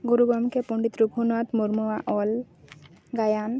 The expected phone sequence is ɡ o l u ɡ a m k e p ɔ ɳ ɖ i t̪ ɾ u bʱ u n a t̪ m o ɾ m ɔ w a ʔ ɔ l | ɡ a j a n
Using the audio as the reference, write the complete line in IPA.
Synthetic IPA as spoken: ɡ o ɾ u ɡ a m k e p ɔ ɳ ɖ i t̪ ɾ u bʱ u n a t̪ m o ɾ m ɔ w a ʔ ɔ l | ɡ a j a n